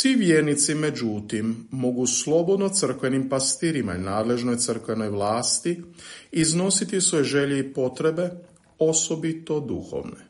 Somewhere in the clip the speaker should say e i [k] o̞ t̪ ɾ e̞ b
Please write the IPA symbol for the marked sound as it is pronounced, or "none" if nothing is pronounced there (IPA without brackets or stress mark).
p